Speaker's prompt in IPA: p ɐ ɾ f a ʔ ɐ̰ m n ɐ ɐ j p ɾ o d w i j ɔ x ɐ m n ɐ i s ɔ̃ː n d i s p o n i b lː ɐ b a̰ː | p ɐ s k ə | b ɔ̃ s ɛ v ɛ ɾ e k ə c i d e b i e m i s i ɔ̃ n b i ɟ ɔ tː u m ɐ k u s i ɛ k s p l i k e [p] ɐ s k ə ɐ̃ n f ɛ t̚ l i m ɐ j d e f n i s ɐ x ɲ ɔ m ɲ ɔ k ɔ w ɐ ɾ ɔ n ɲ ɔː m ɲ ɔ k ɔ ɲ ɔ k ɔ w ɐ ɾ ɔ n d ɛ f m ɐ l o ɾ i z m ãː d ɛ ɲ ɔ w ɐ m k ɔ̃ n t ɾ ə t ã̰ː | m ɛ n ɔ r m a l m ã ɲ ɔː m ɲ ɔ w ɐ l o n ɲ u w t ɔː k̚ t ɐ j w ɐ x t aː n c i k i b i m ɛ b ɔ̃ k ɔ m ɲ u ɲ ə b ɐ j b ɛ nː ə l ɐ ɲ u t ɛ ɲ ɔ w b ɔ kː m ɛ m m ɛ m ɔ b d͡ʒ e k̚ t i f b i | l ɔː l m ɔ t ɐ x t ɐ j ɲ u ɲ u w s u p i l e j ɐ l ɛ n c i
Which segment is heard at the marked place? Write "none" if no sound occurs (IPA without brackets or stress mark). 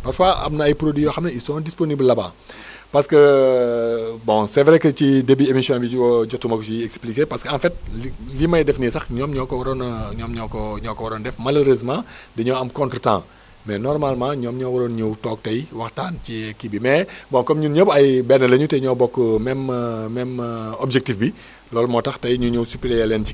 p